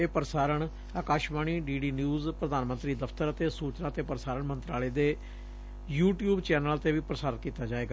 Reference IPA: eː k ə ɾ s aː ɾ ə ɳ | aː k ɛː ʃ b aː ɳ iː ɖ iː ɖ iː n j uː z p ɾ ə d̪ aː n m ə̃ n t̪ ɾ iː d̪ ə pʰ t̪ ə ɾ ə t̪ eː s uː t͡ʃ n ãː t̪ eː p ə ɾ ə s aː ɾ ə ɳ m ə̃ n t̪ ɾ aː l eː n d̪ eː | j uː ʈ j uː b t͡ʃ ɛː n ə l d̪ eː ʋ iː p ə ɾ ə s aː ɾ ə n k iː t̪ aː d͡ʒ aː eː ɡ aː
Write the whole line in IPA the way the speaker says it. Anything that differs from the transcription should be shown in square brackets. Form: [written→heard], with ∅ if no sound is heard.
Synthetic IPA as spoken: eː [k→p] ə ɾ s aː ɾ ə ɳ | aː k [ɛː→aː] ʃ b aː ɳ iː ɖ iː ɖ iː n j uː z p ɾ ə d̪ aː n m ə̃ n t̪ ɾ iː d̪ ə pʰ t̪ ə ɾ ə t̪ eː s uː t͡ʃ n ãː t̪ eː p ə ɾ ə s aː ɾ ə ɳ m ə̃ n t̪ ɾ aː l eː [n→∅] d̪ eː | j uː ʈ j uː b t͡ʃ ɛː n ə l [d̪→t̪] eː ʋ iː p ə ɾ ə s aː ɾ ə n k iː t̪ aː d͡ʒ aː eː ɡ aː